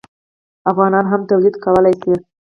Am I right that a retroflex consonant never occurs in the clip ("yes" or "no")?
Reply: yes